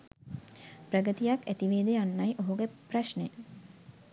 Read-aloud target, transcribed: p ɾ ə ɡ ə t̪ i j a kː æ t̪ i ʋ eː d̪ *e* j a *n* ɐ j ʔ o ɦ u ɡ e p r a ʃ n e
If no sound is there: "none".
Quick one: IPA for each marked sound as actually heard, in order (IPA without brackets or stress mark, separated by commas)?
e, nː